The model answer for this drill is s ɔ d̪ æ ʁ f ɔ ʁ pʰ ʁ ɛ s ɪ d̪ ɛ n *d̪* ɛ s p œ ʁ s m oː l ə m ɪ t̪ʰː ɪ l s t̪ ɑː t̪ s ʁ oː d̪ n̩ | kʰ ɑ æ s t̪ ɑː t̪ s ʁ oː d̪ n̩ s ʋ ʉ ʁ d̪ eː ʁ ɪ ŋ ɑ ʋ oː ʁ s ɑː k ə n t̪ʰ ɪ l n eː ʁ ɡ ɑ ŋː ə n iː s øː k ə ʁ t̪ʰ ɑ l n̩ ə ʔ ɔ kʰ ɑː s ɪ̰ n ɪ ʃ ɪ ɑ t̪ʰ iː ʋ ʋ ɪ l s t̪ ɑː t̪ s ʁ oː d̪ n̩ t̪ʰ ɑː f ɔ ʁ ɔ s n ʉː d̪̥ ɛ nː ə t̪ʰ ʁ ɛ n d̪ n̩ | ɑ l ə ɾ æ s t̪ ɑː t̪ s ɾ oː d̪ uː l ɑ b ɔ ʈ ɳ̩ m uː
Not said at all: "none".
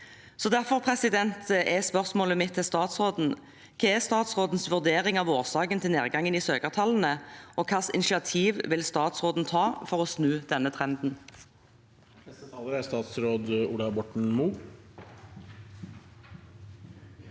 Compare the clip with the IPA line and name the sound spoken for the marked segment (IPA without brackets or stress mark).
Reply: t̪